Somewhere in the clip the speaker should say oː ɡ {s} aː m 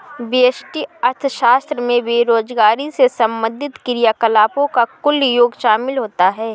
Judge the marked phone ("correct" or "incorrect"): incorrect